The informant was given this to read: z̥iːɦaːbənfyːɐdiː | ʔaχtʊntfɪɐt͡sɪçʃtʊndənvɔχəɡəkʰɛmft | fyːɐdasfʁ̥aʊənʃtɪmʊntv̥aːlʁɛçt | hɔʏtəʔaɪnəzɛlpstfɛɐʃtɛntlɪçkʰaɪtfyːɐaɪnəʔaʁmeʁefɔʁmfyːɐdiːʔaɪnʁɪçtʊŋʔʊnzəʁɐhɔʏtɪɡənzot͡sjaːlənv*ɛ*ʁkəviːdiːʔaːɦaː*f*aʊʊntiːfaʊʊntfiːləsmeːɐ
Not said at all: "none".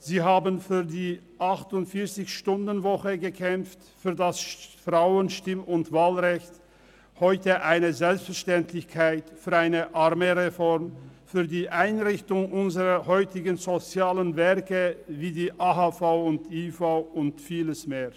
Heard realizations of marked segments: ɛ, f

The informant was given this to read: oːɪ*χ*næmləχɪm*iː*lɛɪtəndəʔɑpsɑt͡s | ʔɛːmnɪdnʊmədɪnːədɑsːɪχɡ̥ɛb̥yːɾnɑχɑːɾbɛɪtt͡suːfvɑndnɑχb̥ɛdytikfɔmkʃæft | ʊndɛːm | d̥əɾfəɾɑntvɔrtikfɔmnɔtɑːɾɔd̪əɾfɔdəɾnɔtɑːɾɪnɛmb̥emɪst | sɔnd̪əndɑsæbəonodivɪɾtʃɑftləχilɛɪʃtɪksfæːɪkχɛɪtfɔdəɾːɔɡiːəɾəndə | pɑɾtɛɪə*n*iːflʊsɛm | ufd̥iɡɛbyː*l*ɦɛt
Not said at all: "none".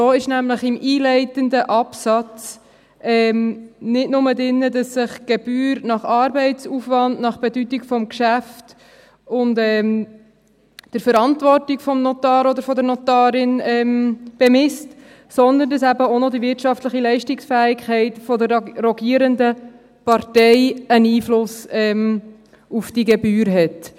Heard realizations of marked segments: ʃ, iː, n, ɾ

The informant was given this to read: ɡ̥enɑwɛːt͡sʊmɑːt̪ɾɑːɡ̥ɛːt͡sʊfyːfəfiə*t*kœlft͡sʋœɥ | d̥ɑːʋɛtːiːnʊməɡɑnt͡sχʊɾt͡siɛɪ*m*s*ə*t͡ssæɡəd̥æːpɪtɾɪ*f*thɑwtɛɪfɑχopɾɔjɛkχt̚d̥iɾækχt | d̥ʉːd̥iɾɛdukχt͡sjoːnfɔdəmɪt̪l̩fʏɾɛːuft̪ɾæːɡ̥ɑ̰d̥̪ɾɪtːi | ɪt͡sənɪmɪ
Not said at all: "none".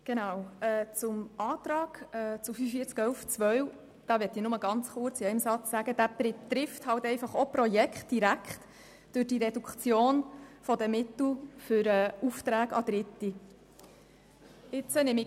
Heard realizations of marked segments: t͡s, m, ɑ, f

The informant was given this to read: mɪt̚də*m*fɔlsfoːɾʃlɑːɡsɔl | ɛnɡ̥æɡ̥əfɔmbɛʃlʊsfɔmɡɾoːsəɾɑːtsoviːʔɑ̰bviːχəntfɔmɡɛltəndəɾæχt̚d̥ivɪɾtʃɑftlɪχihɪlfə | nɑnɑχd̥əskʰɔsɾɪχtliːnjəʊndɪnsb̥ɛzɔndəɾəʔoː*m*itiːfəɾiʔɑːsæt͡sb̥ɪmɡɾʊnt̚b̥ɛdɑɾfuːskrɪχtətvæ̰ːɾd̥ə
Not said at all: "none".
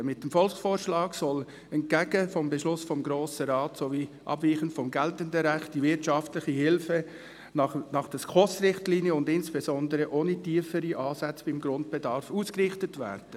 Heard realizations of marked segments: m, n

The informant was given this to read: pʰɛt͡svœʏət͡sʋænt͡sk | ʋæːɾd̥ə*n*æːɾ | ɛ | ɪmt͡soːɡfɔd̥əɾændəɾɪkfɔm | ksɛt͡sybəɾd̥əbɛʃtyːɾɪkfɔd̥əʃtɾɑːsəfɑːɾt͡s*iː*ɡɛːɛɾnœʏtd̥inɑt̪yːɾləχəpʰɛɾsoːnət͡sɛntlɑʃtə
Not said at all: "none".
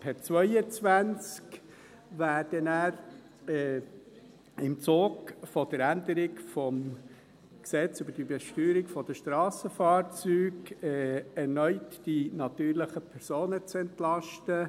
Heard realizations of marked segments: n, yː

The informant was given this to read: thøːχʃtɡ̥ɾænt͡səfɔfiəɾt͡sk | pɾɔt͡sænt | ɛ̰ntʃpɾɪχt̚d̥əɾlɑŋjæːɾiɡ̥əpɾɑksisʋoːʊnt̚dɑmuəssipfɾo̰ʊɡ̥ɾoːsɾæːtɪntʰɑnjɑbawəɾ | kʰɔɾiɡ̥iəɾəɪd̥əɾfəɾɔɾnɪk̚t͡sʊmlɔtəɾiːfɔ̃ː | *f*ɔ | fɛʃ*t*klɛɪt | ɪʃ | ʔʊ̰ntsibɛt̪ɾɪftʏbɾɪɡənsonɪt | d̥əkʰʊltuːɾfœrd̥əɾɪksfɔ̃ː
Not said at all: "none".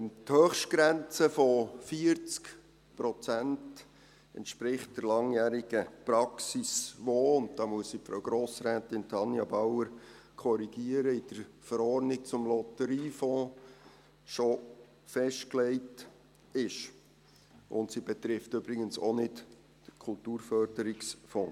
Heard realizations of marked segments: ʃ, t

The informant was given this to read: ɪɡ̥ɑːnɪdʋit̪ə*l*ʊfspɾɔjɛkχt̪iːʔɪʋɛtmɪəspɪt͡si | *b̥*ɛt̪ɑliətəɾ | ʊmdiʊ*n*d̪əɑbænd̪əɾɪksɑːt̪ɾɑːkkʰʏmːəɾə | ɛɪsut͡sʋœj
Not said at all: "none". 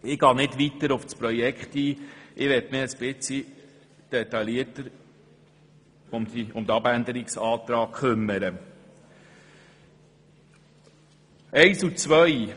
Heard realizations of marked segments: ɾ, d̥, m

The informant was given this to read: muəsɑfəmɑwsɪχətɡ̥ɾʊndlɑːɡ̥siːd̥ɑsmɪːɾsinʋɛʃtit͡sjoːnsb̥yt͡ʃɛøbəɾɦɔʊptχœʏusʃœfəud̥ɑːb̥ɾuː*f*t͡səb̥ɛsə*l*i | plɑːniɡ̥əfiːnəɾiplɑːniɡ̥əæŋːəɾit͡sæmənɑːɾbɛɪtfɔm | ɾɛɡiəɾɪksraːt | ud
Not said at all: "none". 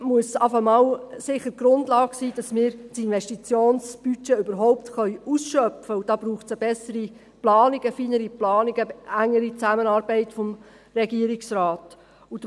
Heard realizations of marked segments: χ, ɾ

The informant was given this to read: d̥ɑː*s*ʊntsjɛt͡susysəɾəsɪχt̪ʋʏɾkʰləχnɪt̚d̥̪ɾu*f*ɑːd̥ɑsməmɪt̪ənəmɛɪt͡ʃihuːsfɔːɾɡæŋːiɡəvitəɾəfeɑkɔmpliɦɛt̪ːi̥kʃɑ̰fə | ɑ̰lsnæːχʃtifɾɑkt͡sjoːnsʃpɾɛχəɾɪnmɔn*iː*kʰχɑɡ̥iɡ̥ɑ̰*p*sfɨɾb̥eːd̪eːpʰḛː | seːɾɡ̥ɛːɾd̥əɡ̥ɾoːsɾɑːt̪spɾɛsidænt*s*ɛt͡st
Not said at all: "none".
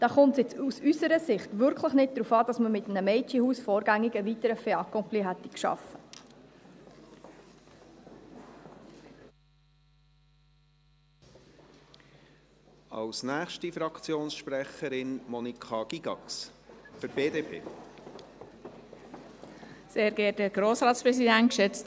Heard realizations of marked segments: χ, f, i, k, ʃ

